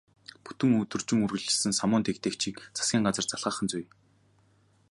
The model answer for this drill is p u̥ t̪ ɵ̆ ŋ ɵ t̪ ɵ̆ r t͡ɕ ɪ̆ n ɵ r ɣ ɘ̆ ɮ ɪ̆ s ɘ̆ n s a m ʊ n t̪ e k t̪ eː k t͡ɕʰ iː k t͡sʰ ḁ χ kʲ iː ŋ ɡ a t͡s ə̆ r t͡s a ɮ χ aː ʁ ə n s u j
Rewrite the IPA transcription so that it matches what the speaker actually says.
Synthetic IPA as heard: p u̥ t̪ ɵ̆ ŋ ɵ t̪ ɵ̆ r t͡ɕ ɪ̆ ŋ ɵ r ɣ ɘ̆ ɮ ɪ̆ s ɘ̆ n s a m ʊː n t̪ e k t̪ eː k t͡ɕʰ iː k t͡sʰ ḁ s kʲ iː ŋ ɢ a t͡s ə̆ r t͡s a ɮ ʁ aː χ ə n t͡s u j